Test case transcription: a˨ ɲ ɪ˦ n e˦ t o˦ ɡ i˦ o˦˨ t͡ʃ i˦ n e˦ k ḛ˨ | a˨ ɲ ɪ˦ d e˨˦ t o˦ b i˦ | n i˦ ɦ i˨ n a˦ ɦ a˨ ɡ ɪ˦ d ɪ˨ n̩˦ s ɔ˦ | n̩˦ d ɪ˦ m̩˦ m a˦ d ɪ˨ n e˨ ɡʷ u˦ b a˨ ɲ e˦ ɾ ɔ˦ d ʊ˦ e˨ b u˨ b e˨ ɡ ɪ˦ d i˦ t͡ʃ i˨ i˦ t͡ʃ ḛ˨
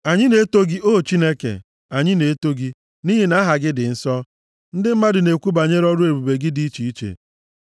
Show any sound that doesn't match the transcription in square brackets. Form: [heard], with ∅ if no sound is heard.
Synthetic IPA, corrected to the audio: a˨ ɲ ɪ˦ n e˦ t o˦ ɡ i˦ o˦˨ t͡ʃ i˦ n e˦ k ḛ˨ | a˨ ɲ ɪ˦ [n] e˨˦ t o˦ [ɡ] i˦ | n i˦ ɦ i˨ n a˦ ɦ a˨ ɡ ɪ˦ d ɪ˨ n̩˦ s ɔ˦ | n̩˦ d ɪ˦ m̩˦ m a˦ d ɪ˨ n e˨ [kʷ] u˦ b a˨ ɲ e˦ ɾ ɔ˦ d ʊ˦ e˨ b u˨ b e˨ ɡ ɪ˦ d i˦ t͡ʃ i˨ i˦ t͡ʃ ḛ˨

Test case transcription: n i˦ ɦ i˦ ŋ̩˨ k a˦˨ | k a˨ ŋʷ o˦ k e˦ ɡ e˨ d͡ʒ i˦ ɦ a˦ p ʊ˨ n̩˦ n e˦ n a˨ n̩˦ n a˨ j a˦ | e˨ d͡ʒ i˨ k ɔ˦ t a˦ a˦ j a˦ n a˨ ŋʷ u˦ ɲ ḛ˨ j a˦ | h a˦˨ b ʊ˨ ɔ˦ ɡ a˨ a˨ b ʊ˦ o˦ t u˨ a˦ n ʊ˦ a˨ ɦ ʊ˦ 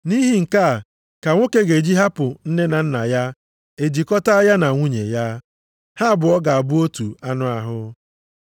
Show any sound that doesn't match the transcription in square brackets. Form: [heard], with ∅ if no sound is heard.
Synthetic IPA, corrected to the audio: n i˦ ɦ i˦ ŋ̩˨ k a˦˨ | k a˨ ŋʷ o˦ k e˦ ɡ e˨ d͡ʒ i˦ ɦ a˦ p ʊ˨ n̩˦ n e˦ n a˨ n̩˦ n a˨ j a˦ | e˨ d͡ʒ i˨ k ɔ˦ t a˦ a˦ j a˦ n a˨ ŋʷ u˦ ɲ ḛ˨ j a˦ | h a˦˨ b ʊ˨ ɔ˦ ɡ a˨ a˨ b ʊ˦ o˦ t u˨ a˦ n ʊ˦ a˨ ɦ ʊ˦

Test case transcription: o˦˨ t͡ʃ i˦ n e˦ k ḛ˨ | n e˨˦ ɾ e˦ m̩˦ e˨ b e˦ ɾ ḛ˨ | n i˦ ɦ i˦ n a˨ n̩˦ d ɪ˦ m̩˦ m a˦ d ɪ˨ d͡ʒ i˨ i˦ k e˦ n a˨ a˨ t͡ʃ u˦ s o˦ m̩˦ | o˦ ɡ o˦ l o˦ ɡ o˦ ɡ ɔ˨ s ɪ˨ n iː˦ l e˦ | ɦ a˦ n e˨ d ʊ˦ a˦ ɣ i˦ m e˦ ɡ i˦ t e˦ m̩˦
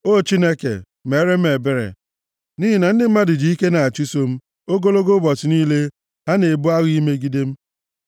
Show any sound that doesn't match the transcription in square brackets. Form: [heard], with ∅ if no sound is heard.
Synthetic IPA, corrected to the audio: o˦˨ t͡ʃ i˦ n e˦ k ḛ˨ | [m] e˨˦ ɾ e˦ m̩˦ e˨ b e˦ ɾ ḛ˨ | n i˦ ɦ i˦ n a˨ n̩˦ d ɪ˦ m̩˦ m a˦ d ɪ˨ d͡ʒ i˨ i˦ k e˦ n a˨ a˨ t͡ʃ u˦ s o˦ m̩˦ | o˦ ɡ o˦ l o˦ ɡ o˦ [b] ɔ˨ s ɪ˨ n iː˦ l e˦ | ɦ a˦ n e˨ [b] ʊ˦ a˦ ɣ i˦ m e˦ ɡ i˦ [d] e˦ m̩˦

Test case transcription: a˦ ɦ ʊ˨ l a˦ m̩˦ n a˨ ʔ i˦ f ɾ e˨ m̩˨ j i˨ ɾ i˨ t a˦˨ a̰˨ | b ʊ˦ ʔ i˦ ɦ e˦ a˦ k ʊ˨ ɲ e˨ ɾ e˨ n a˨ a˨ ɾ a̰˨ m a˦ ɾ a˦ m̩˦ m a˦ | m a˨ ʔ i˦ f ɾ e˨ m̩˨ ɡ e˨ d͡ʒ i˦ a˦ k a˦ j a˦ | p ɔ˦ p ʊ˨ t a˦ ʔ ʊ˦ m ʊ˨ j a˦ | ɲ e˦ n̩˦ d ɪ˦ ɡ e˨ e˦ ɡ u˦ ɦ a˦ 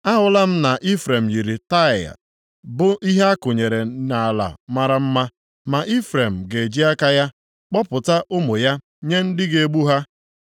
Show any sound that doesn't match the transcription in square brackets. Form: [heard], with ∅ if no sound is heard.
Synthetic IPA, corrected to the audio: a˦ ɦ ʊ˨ l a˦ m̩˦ n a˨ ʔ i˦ f ɾ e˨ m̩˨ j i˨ ɾ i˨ t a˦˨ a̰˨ | b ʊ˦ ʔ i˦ ɦ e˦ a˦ k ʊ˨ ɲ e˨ ɾ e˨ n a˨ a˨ [l] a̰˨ m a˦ ɾ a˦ m̩˦ m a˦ | m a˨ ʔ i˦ f ɾ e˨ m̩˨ ɡ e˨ d͡ʒ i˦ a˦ k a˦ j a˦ | [k͡p] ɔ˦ p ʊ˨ t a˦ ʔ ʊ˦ m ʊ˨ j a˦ | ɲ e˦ n̩˦ d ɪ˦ ɡ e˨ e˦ [ɡ͡b] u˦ ɦ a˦

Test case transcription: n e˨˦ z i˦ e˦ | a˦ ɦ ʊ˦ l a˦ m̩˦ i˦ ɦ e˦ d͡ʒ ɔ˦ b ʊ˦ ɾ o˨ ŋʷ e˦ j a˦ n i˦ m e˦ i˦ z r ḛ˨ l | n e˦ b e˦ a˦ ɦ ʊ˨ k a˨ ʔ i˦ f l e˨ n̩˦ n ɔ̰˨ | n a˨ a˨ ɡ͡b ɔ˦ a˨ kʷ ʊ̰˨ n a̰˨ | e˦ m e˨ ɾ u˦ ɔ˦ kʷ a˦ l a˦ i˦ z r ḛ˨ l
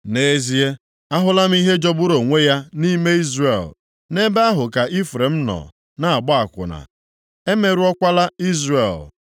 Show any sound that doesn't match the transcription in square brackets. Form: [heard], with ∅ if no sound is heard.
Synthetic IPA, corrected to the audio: n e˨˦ z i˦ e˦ | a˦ ɦ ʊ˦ l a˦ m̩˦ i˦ ɦ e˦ d͡ʒ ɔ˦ b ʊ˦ ɾ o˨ ŋʷ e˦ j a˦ n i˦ m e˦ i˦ z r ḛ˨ l | n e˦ b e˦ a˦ ɦ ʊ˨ k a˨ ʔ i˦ f [ɾ] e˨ [m̩˦] n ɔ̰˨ | n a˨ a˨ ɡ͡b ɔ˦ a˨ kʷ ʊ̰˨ n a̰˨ | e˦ m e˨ ɾ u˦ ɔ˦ kʷ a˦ l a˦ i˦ z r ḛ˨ l

